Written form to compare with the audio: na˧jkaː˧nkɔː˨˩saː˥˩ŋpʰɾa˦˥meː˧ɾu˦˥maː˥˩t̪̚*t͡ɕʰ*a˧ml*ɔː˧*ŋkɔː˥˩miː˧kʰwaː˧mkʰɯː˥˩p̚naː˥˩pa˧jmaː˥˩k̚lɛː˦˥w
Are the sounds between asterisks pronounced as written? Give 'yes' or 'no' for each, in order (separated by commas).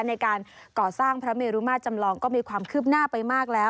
no, yes